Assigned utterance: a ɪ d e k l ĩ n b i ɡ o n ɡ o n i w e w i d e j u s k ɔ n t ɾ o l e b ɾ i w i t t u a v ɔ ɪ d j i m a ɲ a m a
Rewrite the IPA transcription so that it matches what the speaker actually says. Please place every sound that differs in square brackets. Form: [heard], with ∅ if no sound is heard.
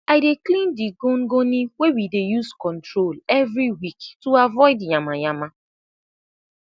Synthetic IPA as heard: a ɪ d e k l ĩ n [d] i ɡ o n ɡ o n i w e w i d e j u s k ɔ n t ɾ o l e [v] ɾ i w i [k] t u a v ɔ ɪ d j [a] m a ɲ a m a